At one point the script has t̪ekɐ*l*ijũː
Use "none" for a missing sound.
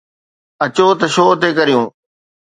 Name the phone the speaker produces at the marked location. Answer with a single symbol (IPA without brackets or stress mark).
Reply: ɾ